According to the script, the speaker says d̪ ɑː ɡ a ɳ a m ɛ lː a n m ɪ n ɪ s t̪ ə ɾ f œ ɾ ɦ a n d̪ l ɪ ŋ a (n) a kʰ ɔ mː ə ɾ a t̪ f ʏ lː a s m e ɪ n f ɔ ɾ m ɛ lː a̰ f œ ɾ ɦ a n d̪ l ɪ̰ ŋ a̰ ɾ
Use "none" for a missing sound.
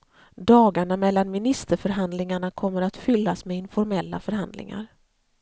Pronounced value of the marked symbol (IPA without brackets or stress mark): ɳ